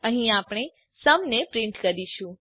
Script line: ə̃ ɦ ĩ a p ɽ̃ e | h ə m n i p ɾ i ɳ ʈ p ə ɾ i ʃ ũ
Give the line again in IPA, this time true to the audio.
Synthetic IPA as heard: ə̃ ɦ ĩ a p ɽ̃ e | s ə m n e p ɾ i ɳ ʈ k ə ɾ i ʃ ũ